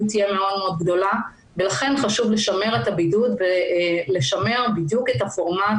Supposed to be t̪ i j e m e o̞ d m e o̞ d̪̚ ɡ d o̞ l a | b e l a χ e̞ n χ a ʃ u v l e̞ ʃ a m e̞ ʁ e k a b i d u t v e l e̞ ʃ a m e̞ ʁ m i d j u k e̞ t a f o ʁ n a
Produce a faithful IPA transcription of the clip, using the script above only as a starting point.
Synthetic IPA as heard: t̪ i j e m e o̞ d m e o̞ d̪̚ ɡ d o̞ l a | b e l a χ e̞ n χ a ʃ u v l e̞ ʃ a m e̞ ʁ e t a b i d u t v e l e̞ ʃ a m e̞ ʁ b i d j u k e̞ t a f o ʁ m a